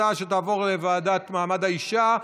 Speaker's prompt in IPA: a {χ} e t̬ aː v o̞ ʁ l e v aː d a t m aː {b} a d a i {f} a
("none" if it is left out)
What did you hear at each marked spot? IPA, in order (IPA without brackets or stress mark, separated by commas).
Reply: ʃ, m, ʃ